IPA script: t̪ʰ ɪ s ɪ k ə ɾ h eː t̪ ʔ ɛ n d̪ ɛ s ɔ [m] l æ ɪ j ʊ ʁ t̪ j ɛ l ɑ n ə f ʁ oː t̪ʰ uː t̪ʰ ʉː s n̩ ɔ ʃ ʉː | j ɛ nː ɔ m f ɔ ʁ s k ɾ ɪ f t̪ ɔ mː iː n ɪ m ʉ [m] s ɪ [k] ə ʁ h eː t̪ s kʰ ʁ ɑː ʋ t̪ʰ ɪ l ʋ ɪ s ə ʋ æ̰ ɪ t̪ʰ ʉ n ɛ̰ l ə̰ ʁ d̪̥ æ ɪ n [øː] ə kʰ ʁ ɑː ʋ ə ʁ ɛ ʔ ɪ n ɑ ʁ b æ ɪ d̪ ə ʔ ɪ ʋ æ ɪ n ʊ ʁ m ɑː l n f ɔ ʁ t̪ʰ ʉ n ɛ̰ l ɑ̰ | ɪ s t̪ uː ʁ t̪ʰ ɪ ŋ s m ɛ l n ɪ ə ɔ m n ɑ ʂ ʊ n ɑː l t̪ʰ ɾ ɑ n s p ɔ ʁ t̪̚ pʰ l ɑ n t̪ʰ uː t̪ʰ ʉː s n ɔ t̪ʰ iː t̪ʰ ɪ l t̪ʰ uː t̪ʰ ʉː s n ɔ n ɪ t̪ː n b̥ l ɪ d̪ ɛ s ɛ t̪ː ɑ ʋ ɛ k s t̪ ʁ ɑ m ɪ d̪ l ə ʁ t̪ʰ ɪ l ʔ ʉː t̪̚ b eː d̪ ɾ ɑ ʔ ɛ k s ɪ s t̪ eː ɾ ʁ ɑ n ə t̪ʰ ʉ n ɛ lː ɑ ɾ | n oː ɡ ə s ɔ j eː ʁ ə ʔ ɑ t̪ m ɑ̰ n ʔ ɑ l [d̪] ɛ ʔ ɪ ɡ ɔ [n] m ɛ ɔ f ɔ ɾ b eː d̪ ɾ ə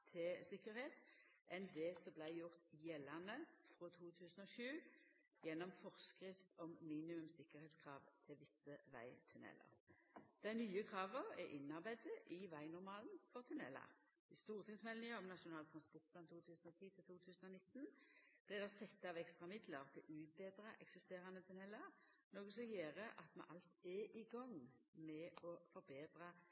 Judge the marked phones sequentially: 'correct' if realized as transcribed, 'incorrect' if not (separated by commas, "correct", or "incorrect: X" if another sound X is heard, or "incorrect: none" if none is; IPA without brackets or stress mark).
incorrect: b, correct, correct, incorrect: yː, incorrect: t̪, incorrect: ŋ